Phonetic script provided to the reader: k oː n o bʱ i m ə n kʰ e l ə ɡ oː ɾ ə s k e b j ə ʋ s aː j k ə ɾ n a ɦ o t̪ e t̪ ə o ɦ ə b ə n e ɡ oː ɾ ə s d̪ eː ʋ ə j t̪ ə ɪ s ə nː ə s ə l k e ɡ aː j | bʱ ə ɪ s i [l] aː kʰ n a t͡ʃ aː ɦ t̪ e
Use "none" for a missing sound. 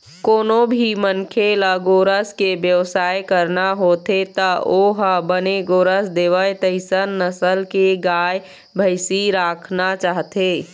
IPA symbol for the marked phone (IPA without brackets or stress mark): ɾ